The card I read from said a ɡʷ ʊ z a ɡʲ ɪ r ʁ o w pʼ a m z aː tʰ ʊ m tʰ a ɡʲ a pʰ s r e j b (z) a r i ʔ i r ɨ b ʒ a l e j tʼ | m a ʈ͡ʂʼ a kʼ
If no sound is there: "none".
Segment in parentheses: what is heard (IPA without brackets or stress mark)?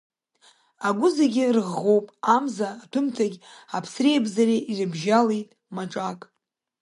z